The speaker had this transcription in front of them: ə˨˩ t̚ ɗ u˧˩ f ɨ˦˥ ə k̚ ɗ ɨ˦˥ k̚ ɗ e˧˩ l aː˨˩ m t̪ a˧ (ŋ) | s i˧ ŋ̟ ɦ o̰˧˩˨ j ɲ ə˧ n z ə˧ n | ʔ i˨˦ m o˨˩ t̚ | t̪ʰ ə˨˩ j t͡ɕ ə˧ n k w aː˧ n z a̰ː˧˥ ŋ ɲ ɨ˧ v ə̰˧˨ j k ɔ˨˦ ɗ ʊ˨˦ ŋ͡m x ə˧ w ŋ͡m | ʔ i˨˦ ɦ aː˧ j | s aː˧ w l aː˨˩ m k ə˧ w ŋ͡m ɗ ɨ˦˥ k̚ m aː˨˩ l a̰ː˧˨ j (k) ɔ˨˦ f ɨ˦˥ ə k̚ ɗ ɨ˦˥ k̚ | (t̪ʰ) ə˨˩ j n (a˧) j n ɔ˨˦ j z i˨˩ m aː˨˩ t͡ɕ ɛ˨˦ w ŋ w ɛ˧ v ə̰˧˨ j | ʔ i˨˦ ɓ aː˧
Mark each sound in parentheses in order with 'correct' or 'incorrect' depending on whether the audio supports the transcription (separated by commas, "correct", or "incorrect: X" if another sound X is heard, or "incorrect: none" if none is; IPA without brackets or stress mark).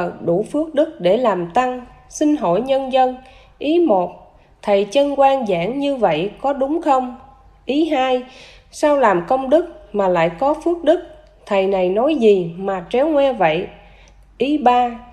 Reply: correct, correct, correct, incorrect: a˨˩